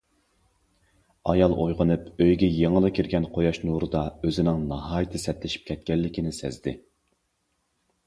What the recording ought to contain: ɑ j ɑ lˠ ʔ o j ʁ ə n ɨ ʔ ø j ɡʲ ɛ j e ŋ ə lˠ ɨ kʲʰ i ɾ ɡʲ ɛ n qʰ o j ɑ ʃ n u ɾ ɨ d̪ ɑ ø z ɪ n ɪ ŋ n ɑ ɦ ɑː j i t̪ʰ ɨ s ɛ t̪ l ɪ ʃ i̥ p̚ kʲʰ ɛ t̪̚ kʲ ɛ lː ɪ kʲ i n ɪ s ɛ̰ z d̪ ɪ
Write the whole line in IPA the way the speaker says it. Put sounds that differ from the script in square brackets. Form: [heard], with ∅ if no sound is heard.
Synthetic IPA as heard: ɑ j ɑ lˠ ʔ o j ʁ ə n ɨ [p] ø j ɡʲ ɛ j e ŋ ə lˠ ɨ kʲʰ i ɾ ɡʲ ɛ n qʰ o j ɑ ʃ n u ɾ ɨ d̪ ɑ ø z ɪ n ɪ ŋ n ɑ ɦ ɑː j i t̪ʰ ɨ s ɛ t̪ l ɪ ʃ i̥ p̚ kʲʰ ɛ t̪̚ kʲ ɛ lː ɪ kʲ i n ɪ s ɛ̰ z d̪ ɪ